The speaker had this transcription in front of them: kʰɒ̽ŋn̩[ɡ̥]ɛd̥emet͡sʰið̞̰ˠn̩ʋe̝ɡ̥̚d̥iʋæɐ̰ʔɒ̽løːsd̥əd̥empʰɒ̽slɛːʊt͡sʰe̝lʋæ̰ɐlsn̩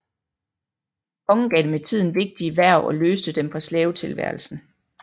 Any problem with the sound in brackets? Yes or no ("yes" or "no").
no